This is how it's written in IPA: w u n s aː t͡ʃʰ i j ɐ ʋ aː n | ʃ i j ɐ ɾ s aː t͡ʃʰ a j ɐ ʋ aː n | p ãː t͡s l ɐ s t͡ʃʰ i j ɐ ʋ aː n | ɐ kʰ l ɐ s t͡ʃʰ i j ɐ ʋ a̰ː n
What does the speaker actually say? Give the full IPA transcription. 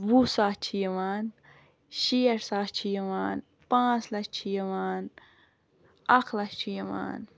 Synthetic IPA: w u s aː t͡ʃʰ i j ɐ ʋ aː n | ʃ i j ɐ ɾ s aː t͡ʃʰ i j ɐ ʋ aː n | p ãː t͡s l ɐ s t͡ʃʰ i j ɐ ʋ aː n | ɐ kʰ l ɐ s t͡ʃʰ i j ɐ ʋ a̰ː n

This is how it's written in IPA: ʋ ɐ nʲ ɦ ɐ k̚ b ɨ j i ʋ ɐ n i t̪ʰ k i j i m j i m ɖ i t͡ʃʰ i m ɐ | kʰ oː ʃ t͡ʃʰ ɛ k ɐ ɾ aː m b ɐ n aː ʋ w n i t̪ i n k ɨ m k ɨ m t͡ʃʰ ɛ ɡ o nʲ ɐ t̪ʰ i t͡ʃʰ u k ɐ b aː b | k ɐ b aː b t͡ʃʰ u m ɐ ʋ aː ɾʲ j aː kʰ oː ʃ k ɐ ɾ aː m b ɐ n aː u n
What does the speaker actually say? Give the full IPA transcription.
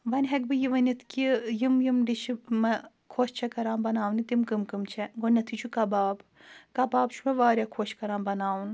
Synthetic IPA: ʋ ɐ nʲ ɦ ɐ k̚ b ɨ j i ʋ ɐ n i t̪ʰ k i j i m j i m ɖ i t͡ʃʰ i m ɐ | kʰ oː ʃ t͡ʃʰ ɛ k ɐ ɾ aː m b ɐ n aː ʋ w n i t̪ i m k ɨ m k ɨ m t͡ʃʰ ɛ ɡ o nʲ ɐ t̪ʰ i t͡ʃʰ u k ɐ b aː b | k ɐ b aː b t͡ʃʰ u m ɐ ʋ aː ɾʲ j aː kʰ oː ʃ k ɐ ɾ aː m b ɐ n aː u n

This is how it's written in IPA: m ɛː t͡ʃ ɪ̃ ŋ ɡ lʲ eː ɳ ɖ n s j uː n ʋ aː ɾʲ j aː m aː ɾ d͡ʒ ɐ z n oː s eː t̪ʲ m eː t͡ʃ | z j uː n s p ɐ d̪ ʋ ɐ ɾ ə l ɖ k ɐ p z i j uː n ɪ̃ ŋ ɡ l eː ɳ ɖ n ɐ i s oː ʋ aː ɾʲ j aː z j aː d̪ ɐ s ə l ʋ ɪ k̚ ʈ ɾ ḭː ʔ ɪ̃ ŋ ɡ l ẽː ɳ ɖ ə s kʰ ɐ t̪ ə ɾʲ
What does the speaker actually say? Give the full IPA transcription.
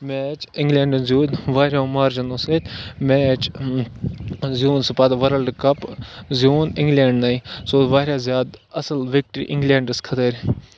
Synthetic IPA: m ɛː t͡ʃ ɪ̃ ŋ ɡ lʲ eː ɳ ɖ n z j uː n ʋ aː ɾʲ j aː m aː ɾ d͡ʒ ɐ n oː s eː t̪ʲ m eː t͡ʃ | z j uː n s p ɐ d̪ ʋ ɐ ɾ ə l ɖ k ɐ p z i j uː n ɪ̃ ŋ ɡ l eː ɳ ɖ n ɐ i s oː ʋ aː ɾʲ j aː z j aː d̪ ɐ s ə l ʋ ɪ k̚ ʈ ɾ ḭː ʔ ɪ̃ ŋ ɡ l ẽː ɳ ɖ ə s kʰ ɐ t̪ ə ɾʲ

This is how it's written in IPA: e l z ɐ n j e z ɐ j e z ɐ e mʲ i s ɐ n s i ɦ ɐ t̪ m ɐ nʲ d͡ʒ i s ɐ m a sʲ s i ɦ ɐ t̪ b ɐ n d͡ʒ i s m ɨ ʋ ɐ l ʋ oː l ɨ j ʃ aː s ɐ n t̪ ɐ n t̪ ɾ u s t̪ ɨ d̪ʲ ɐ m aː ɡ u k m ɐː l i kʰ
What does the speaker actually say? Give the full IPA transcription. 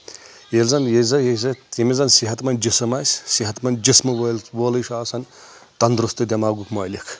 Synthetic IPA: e l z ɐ n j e z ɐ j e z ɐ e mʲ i z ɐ n s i ɦ ɐ t̪ m ɐ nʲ d͡ʒ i s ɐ m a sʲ s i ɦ ɐ t̪ m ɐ n d͡ʒ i s m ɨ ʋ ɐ l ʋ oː l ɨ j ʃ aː s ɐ n t̪ ɐ n d̪ ɾ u s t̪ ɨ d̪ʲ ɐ m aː ɡ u k m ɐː l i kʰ

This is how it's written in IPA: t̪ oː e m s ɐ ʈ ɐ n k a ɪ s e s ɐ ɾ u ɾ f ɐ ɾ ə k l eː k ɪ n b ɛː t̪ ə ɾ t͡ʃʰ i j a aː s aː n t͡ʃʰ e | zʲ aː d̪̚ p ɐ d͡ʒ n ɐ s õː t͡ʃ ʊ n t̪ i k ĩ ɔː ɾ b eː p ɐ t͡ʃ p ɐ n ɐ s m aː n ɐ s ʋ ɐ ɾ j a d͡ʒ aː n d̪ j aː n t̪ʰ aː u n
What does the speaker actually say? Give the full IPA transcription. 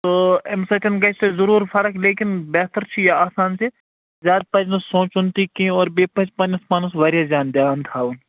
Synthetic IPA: t̪ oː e m s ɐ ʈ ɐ n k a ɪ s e z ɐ ɾ uː ɾ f ɐ ɾ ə k l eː k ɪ n b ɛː t̪ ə ɾ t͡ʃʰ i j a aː s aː n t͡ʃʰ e | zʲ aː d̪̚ p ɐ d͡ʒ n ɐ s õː t͡ʃ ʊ n t̪ i k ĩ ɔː ɾ b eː p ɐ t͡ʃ p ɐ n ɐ s m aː n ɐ s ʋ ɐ ɾ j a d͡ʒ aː n d̪ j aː n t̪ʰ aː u n

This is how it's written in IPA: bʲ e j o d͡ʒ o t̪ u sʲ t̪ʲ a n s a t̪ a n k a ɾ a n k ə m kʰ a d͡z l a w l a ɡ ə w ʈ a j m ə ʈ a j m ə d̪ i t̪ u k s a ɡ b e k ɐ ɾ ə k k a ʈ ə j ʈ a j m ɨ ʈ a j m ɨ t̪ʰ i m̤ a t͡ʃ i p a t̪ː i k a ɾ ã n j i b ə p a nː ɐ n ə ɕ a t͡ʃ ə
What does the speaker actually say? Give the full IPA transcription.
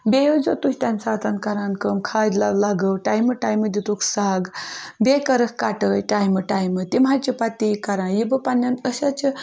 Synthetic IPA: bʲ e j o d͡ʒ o t̪ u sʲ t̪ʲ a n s a t̪ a n k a ɾ a n k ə m kʰ a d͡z l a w l a ɡ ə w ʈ a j m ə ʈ a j m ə d̪ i t̪ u k s a ɡ b e k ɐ ɾ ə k k a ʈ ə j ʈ a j m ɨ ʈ a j m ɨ t̪ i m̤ a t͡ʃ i p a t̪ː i k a ɾ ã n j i b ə p a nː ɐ n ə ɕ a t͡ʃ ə

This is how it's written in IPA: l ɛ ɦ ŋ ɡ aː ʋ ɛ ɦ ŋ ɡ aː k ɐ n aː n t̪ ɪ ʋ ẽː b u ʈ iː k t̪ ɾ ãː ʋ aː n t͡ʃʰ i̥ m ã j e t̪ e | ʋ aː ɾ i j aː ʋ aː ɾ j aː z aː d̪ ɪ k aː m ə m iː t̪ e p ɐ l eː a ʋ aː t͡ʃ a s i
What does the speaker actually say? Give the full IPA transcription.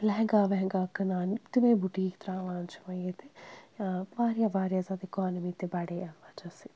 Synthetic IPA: l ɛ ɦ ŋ ɡ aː ʋ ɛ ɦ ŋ ɡ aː k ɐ n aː n t̪ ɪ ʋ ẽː b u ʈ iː k t̪ ɾ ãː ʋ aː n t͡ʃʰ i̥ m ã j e t̪ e | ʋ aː ɾ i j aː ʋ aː ɾ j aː z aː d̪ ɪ k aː n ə m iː t̪ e b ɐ ɽ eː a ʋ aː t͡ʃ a s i

